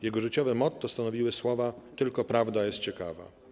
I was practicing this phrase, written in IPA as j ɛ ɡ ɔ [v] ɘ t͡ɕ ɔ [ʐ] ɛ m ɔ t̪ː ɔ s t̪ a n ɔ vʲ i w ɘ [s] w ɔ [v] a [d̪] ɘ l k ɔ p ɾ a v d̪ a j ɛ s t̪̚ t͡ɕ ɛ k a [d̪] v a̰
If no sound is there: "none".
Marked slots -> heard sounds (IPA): ʐ, v, s, v, t̪, none

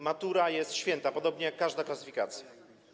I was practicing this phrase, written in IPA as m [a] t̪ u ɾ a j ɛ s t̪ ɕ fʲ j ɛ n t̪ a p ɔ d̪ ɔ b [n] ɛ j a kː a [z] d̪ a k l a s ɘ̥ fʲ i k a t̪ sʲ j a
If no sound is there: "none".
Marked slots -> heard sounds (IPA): a, ɲ, ʐ

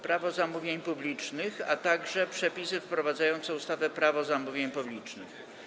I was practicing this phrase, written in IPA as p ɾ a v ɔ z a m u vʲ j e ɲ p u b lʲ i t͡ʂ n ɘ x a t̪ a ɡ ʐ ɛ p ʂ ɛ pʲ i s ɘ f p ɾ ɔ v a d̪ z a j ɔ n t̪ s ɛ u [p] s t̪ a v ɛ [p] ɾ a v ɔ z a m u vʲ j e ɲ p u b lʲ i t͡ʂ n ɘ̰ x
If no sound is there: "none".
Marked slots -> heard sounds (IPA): none, p

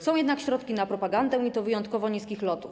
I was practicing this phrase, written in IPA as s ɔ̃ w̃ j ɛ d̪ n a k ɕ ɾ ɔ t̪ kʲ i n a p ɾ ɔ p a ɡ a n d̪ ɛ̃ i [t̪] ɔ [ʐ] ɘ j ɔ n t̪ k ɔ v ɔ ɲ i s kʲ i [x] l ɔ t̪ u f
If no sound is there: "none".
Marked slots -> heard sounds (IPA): t̪, v, x

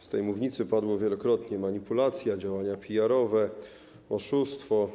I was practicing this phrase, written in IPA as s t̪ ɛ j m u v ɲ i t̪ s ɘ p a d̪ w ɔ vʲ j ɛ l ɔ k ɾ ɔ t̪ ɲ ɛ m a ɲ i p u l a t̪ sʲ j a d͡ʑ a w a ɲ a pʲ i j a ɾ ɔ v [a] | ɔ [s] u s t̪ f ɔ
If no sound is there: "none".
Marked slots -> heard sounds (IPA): ɛ, ʂ

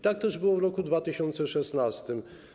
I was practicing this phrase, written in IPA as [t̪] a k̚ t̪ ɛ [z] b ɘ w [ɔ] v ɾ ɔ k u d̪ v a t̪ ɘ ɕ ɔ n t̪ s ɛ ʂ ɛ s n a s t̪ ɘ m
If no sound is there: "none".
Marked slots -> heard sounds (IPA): t̪, ʐ, ɔ

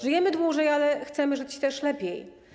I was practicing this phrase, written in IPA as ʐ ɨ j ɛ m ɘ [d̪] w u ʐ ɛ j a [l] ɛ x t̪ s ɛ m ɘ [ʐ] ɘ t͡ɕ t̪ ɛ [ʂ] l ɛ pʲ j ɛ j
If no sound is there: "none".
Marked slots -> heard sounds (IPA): d̪, l, ʐ, ʂ

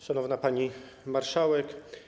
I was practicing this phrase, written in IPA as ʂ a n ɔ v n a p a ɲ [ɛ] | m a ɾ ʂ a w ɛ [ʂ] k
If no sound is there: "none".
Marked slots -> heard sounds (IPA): i, none

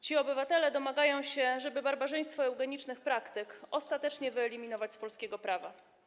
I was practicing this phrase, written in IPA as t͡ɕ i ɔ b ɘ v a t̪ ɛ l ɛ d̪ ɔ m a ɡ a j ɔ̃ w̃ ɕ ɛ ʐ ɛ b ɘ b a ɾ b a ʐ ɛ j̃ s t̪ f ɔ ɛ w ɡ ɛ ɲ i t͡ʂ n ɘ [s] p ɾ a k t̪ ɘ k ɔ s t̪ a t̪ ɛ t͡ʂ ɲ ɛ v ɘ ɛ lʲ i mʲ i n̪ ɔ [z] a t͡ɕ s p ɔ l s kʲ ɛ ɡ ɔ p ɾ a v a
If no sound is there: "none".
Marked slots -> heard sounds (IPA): x, v

